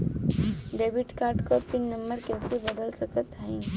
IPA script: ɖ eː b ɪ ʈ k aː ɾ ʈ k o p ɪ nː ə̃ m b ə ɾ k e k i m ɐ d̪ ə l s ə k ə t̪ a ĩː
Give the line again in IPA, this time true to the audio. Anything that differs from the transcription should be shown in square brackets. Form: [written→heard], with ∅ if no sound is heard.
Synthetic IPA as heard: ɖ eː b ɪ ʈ k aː ɾ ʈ k o p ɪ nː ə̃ m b ə ɾ k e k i [m→b] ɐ d̪ ə l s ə k ə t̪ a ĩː